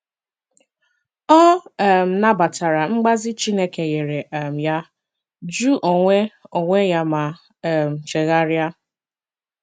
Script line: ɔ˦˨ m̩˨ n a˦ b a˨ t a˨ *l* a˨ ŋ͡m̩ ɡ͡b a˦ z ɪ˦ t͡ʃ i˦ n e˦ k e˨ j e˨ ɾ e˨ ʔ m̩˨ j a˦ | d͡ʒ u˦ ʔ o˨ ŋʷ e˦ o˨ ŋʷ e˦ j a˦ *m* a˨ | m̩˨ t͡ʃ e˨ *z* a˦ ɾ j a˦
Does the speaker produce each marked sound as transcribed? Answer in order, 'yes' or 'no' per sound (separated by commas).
no, yes, no